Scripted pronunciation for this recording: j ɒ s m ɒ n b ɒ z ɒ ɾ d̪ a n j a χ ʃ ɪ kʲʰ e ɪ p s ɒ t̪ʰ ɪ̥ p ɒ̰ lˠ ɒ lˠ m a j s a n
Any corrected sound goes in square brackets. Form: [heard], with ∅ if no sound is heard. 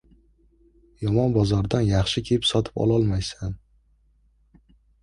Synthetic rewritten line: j ɒ [∅] m ɒ n b ɒ z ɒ ɾ d̪ a n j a χ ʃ ɪ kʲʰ e ɪ p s ɒ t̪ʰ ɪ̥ p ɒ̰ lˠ ɒ lˠ m a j s a n